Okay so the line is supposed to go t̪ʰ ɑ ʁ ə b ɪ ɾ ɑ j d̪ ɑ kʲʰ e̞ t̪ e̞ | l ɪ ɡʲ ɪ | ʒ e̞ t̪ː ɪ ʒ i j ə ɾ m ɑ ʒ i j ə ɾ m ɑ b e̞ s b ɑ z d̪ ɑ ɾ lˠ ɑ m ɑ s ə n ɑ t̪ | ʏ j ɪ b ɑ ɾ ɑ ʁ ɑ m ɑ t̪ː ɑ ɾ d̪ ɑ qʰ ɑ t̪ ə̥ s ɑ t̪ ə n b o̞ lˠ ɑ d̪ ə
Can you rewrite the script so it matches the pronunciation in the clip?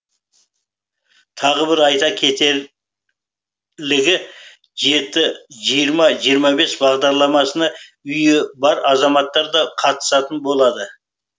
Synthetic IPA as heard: t̪ʰ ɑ ʁ ə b ɪ ɾ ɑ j t̪ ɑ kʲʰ e̞ t̪ e̞ | l ɪ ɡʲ ɪ | ʒ e̞ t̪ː ɪ ʒ i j ə ɾ m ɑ ʒ i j ə ɾ m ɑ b e̞ s b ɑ ʁ d̪ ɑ ɾ lˠ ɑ m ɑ s ə n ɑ | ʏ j ɪ b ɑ ɾ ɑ z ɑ m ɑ t̪ː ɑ ɾ d̪ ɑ qʰ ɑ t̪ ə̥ s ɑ t̪ ə n b o̞ lˠ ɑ d̪ ə